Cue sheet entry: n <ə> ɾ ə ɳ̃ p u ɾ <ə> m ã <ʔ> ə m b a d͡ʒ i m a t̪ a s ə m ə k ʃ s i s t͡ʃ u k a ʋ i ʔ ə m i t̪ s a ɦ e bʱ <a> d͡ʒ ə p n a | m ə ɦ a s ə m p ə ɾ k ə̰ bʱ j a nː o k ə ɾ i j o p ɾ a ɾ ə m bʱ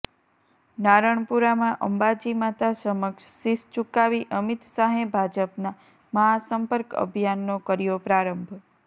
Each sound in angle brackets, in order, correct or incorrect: incorrect: a, incorrect: a, correct, correct

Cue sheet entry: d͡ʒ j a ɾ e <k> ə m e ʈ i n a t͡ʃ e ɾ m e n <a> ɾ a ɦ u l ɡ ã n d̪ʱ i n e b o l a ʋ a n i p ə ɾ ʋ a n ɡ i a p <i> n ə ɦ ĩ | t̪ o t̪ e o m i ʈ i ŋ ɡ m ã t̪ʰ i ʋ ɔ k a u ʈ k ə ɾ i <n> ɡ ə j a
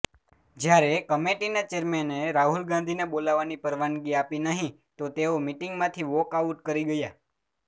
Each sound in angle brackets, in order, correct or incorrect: correct, incorrect: e, correct, incorrect: none

